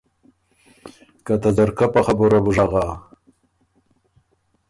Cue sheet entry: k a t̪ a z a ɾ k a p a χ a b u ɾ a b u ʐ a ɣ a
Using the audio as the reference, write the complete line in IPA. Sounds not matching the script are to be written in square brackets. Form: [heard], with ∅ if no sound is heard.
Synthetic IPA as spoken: k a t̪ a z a ɾ k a p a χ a b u ɾ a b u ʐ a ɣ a

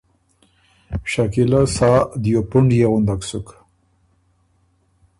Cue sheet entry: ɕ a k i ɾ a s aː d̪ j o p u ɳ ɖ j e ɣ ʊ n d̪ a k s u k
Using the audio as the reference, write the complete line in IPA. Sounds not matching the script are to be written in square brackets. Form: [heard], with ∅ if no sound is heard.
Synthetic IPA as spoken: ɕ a k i [l] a s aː d̪ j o p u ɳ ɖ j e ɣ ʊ n d̪ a k s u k

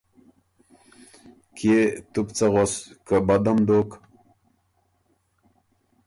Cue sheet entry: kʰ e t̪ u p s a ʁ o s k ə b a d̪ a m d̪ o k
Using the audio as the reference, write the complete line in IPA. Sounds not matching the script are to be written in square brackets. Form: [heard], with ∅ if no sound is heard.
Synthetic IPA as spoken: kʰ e t̪ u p [t͡s] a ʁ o s k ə b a d̪ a m d̪ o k

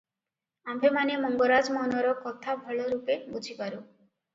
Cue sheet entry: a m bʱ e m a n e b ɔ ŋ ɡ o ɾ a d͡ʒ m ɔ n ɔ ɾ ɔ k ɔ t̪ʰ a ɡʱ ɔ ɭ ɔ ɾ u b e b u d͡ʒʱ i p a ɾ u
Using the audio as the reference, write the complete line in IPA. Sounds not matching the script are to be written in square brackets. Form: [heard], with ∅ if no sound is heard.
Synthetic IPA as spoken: a m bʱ e m a n e [m] ɔ ŋ ɡ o ɾ a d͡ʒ m ɔ n ɔ ɾ ɔ k ɔ t̪ʰ a [bʱ] ɔ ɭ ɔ ɾ u [p] e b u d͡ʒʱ i p a ɾ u

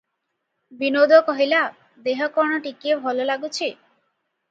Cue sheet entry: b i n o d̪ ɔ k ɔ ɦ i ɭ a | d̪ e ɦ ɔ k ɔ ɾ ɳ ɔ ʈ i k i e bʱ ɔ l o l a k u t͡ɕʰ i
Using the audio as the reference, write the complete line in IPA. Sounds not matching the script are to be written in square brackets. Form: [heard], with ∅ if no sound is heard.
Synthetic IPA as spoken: b i n o d̪ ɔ k ɔ ɦ i [l] a | d̪ e ɦ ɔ k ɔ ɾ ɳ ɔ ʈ i k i e bʱ ɔ l o l a [ɡ] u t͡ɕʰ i

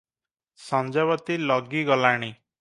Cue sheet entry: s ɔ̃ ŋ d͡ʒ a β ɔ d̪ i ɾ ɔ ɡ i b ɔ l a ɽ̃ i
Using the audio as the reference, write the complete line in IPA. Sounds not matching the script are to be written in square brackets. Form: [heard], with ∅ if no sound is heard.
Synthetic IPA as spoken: s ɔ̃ [n] d͡ʒ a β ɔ [t̪] i [l] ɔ ɡ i [ɡ] ɔ l a ɽ̃ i

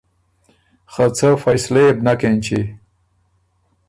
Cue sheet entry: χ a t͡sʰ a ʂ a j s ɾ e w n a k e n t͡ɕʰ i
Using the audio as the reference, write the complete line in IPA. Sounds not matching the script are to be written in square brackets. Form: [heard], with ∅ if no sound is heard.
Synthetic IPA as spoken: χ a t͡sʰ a [f] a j s [l] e [b] n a k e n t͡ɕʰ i

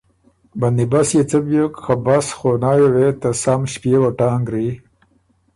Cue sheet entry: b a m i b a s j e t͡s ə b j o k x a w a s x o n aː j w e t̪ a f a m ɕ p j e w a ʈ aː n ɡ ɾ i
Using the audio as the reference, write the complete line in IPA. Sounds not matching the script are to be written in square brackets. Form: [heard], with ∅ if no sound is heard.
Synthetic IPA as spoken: b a [n] i b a s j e t͡s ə b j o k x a [b] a s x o n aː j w e t̪ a [s] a m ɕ p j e w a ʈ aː [ŋ] ɡ ɾ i

